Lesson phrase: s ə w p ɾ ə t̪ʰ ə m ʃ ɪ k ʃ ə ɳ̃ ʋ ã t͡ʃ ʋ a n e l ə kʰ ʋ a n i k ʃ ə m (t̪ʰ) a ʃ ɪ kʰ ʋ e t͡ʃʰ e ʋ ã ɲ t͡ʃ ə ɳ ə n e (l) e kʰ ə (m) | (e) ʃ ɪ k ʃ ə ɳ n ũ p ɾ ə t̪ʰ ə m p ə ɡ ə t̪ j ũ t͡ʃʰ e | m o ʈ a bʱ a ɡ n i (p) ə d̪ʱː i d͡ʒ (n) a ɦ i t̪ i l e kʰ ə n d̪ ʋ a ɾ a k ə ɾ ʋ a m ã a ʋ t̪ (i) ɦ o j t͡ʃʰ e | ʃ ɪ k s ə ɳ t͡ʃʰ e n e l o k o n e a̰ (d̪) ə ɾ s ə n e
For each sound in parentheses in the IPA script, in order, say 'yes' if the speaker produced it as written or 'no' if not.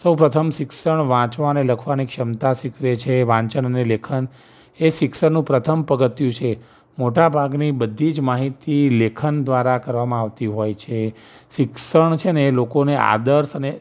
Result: no, yes, no, yes, no, no, yes, yes

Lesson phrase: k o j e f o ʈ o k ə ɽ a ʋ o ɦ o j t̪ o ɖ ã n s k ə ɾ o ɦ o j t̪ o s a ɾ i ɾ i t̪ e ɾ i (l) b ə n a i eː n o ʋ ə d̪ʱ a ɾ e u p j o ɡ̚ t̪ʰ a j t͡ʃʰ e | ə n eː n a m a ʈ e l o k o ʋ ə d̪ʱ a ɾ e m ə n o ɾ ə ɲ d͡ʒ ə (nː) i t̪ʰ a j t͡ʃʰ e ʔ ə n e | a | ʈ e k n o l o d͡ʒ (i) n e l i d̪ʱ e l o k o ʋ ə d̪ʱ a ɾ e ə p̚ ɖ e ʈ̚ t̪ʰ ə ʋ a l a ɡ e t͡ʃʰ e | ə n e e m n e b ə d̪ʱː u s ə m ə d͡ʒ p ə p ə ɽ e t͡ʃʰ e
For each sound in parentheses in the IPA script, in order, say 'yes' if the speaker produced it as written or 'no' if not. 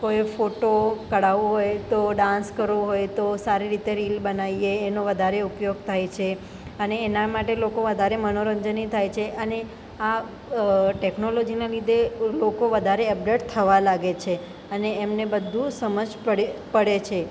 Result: yes, no, yes

